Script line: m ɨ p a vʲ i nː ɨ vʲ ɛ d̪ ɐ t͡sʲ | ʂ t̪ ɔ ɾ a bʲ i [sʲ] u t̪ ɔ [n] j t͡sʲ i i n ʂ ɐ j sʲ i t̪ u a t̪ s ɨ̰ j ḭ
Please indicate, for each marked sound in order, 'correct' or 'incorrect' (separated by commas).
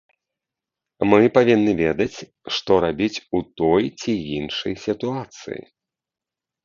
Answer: incorrect, incorrect